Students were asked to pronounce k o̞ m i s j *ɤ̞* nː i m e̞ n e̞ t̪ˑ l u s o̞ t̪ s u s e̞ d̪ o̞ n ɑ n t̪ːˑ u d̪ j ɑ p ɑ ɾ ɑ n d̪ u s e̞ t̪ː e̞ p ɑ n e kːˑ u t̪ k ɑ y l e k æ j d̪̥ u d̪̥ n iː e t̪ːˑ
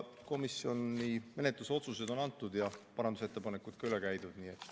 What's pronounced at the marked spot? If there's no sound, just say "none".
o̞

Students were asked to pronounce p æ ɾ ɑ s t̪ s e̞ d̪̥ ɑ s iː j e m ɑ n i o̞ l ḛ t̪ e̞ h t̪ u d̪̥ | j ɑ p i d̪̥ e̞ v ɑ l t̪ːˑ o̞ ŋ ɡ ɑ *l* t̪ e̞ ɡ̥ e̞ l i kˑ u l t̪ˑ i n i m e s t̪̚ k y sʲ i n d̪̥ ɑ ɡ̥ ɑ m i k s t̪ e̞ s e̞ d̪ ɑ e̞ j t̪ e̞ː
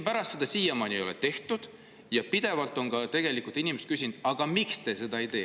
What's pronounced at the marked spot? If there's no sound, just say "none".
none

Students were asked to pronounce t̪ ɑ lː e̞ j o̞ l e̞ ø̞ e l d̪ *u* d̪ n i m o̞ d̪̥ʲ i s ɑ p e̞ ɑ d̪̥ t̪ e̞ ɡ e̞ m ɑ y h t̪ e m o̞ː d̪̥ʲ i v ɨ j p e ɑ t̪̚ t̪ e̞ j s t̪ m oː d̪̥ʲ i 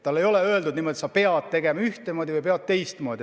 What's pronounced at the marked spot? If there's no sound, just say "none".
u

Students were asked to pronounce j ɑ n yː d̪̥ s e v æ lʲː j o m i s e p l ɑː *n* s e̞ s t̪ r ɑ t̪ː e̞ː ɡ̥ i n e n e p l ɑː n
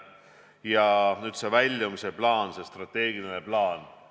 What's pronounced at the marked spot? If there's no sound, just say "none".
n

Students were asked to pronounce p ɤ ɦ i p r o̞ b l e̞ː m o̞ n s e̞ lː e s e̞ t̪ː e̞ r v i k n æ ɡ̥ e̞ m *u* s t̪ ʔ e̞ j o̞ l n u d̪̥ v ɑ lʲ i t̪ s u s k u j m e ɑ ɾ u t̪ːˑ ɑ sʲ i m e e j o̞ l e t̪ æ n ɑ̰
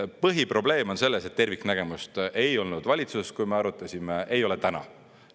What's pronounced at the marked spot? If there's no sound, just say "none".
u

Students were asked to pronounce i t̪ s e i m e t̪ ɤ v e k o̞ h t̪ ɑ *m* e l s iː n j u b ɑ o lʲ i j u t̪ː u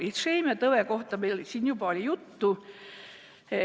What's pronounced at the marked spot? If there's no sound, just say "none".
m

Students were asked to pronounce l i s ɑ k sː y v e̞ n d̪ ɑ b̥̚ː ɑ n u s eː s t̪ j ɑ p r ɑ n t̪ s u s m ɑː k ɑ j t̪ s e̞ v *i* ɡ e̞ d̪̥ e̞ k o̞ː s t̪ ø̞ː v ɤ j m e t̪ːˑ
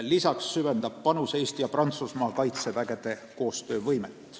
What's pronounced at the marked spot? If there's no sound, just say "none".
æ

